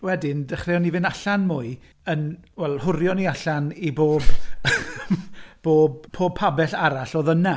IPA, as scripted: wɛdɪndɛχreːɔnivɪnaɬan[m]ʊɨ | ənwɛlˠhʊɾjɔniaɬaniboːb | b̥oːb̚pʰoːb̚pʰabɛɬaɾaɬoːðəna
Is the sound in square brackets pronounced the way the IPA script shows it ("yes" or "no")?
yes